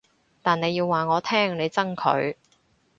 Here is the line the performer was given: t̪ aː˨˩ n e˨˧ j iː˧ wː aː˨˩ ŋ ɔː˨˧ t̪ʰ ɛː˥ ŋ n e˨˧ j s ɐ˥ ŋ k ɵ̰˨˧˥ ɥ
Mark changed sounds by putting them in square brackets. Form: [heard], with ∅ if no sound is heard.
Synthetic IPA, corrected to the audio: t̪ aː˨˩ n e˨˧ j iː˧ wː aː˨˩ ŋ ɔː˨˧ t̪ʰ ɛː˥ ŋ n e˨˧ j [t͡s] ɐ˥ ŋ [kʰ] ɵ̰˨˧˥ ɥ